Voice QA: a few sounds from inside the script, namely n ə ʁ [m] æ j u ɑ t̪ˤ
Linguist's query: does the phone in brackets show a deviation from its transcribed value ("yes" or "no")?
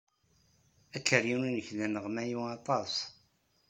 no